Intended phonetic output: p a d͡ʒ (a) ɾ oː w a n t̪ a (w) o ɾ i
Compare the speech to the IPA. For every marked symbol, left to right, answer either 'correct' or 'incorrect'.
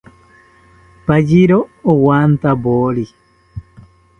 incorrect: i, incorrect: b

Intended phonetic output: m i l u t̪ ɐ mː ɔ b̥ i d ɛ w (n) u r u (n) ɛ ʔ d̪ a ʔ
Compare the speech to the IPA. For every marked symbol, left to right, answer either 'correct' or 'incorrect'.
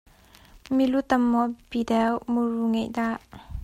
incorrect: m, incorrect: ŋ

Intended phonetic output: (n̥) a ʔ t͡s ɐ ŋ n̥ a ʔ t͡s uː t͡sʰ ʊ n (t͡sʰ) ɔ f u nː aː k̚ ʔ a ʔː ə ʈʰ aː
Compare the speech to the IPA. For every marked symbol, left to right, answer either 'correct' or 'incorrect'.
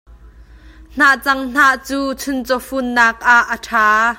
correct, incorrect: t͡s

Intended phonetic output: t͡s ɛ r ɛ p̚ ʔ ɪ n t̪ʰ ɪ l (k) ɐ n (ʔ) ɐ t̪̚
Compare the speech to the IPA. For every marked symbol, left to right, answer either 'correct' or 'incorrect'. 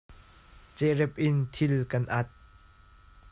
correct, correct

